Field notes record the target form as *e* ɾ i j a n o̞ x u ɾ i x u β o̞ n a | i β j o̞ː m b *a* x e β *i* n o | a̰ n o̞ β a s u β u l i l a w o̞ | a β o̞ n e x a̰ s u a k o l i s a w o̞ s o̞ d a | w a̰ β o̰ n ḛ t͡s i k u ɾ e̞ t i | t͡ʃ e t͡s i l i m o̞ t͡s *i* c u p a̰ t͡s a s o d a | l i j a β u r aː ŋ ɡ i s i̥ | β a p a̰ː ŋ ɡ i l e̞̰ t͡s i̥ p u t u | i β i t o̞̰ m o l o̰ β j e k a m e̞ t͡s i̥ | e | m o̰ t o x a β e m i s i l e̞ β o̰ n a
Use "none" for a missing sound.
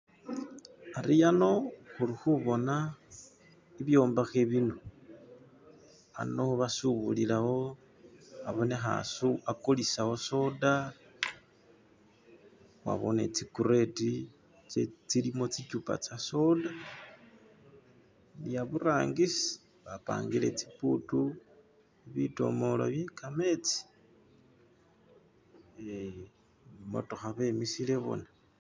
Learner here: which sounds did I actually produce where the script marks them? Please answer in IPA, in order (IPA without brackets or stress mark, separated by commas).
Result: a, a, i, i